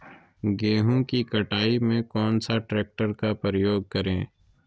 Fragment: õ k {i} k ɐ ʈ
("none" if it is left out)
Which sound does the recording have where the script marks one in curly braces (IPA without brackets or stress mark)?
i